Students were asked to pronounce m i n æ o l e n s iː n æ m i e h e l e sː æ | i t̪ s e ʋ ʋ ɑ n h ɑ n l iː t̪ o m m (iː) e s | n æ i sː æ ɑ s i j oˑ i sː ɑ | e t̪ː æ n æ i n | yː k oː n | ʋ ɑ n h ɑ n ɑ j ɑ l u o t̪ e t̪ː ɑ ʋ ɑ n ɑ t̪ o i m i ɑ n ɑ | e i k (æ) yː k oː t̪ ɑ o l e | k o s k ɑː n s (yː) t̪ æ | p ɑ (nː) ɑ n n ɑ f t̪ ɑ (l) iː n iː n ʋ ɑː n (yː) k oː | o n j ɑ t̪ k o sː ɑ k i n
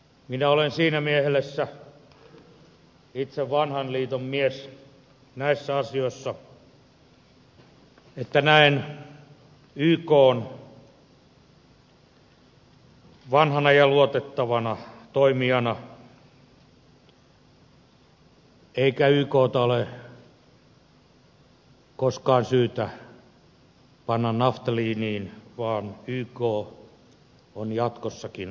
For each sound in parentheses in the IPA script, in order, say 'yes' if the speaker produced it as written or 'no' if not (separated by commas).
no, yes, yes, yes, yes, yes